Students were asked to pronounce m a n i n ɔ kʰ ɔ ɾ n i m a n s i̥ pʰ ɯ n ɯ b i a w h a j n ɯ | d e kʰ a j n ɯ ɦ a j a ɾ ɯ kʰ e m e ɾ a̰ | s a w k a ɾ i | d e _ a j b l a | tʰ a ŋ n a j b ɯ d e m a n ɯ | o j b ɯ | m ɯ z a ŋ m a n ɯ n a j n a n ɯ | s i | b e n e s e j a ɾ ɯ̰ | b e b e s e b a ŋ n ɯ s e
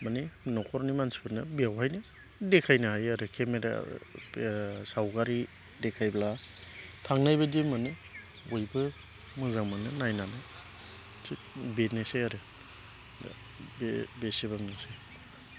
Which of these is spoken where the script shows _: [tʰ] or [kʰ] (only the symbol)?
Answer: kʰ